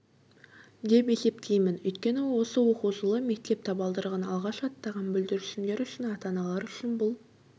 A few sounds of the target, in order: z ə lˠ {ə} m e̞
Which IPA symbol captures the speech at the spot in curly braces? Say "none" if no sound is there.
ə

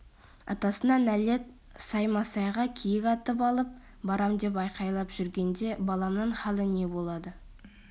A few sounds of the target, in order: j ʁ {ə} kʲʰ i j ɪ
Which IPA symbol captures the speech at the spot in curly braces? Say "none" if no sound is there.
ɑ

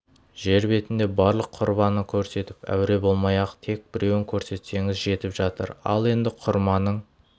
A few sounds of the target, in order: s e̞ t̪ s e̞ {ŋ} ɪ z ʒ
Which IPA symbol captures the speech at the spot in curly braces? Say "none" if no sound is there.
ŋ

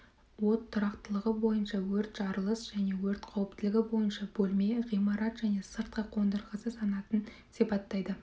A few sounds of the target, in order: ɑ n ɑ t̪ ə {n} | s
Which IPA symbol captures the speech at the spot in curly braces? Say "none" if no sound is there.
n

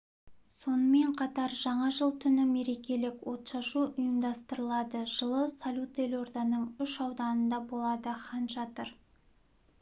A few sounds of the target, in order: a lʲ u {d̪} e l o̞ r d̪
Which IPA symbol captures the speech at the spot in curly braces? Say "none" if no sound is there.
t̪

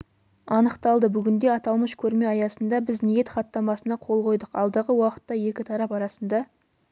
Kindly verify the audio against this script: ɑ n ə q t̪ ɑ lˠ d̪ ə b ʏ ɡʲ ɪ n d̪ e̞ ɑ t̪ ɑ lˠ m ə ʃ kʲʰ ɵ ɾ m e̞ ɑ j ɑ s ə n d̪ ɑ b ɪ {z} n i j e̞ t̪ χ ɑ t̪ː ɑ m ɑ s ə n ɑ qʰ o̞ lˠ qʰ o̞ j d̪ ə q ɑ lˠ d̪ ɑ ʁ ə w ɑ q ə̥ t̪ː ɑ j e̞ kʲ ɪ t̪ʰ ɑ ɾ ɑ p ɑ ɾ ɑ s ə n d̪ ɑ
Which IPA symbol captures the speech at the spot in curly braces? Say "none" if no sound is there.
z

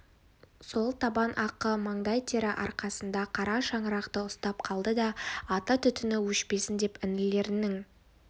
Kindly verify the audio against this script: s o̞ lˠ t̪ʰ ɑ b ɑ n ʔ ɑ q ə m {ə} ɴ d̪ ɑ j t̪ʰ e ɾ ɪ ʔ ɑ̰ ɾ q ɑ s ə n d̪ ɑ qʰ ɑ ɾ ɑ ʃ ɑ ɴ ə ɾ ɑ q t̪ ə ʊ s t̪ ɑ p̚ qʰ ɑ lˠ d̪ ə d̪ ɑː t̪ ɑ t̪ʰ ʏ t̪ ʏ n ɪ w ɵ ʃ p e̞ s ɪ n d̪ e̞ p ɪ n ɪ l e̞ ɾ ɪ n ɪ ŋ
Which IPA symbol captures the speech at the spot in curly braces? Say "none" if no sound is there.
ɑ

